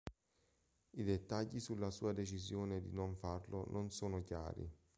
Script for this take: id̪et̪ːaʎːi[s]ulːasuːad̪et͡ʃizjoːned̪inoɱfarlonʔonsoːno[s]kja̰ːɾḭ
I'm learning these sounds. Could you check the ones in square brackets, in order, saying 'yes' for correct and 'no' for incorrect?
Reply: yes, no

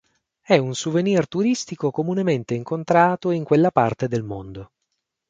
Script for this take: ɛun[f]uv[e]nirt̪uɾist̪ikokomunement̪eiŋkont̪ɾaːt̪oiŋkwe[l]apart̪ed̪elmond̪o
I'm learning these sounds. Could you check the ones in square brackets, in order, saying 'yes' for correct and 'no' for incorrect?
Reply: no, yes, no

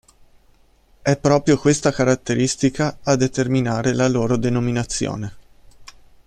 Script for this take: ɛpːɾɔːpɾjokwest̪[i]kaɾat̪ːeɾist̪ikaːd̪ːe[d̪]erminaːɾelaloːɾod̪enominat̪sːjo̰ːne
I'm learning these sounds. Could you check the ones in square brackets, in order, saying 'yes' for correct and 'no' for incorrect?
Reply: no, no

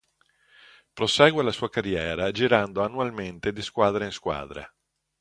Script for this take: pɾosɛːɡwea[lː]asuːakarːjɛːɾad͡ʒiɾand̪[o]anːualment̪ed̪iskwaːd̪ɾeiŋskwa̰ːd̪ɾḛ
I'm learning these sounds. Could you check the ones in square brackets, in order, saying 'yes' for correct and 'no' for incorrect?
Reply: no, yes

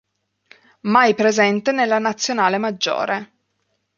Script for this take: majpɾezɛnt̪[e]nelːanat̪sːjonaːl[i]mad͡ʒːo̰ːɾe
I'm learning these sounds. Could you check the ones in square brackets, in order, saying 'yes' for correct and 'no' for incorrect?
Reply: yes, no

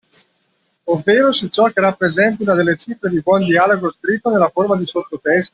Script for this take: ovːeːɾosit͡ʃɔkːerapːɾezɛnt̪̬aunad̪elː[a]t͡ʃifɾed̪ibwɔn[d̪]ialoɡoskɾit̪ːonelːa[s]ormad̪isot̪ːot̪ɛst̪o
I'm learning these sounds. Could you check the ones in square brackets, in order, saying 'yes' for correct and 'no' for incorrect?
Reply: no, yes, no

